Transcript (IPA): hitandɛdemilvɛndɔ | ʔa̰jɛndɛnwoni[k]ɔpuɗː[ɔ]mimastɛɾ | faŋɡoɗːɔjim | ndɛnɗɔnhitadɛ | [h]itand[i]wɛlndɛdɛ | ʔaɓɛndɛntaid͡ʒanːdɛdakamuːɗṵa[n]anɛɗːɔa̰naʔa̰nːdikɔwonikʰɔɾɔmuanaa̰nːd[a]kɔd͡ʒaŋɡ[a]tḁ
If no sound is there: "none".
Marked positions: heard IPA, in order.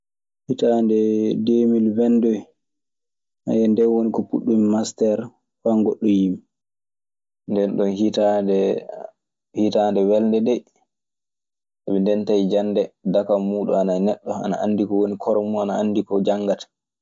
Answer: k, u, h, ɛ, n, i, a

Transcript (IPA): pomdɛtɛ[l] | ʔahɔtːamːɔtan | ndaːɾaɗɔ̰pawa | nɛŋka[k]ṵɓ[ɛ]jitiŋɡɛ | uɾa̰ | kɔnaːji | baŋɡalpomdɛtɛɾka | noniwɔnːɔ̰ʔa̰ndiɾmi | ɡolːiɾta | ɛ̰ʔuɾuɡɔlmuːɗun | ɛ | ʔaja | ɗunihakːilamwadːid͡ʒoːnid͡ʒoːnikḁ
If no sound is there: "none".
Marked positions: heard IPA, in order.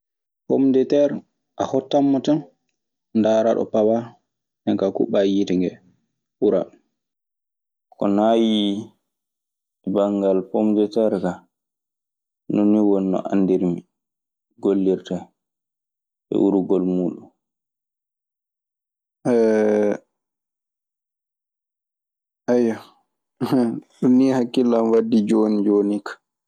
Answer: ɾ, k, a

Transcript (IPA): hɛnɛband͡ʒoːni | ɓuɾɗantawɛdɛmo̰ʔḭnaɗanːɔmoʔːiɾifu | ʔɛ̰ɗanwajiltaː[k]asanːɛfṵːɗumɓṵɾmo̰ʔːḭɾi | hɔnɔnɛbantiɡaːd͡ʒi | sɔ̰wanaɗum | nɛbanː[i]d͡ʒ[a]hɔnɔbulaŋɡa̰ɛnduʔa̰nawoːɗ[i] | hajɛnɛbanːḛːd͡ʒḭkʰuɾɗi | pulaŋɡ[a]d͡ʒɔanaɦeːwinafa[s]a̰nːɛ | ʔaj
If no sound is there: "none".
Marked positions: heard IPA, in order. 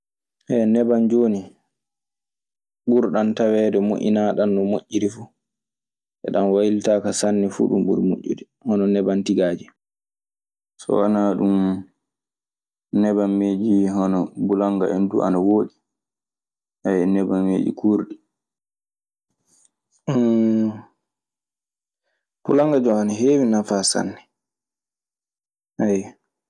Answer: k, e, i, i, a, s

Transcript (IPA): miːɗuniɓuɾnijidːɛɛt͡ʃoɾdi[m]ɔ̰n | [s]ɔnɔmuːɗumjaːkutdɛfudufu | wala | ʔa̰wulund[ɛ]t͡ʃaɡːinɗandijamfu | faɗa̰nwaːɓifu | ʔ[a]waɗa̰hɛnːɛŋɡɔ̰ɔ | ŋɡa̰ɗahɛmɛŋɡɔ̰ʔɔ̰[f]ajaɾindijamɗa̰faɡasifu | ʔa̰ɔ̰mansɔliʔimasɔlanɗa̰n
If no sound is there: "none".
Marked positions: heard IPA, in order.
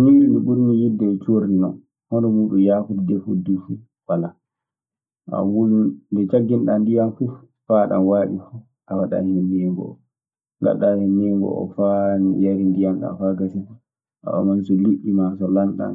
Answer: n, h, ɛ, a, f

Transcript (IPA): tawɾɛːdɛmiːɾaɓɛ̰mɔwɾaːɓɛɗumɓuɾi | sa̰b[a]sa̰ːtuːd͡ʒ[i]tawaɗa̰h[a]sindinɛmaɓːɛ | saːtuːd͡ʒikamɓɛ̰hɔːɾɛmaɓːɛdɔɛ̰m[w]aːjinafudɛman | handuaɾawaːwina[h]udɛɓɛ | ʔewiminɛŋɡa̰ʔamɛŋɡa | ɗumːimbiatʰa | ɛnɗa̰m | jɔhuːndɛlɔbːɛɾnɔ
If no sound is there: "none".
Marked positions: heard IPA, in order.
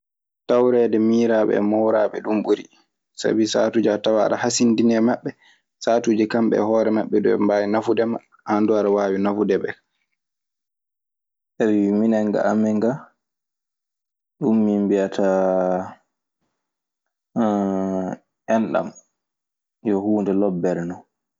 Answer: i, a, a, b, f

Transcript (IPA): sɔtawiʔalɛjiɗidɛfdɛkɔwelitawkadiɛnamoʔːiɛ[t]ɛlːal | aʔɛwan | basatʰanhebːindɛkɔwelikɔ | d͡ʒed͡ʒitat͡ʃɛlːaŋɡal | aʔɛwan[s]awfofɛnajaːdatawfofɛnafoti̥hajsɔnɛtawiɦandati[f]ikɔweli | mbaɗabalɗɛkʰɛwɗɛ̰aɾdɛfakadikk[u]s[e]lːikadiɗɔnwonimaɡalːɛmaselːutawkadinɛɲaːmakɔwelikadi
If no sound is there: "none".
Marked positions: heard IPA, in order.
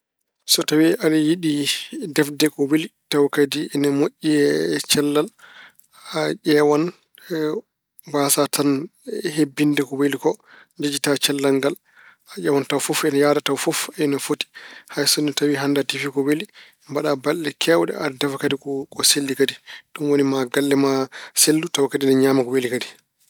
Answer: t͡ʃ, t, f, ɔ, e

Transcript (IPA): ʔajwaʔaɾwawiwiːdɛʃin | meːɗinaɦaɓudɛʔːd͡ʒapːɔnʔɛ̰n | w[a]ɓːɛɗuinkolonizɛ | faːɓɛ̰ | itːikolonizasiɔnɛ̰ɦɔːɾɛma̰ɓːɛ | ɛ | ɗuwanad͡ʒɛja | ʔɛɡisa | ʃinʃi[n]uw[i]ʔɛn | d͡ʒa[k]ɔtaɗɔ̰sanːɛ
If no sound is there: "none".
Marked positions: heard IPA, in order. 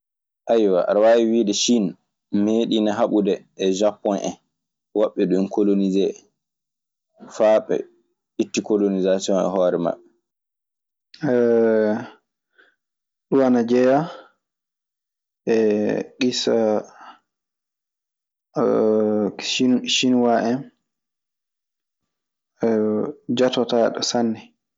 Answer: a, n, a, t

